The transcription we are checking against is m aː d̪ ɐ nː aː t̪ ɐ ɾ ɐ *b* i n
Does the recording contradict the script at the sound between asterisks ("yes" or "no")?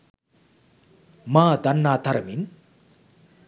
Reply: yes